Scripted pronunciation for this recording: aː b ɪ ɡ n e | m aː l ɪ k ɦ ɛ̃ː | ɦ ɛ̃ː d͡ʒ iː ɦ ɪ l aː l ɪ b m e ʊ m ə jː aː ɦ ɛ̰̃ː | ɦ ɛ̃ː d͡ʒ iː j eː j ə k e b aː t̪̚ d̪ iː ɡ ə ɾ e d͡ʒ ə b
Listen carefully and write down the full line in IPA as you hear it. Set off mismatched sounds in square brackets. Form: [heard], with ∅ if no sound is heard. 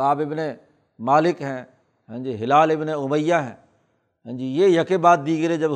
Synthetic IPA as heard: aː b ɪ [b] n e | m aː l ɪ k ɦ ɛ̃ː | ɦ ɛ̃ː d͡ʒ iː ɦ ɪ l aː l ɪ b [n] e ʊ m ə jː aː ɦ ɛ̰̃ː | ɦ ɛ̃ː d͡ʒ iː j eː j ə k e b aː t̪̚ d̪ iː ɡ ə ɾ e d͡ʒ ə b